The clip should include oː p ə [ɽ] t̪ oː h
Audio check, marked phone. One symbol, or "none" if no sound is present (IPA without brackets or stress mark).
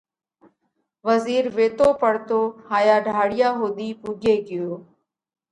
ɽ